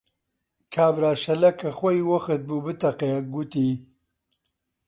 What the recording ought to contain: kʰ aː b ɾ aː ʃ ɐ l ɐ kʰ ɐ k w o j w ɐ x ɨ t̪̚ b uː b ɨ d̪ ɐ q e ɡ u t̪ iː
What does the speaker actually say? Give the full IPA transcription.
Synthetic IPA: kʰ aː b ɾ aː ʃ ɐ l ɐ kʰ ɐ x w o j w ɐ x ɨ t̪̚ b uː b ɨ t̪ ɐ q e ɡ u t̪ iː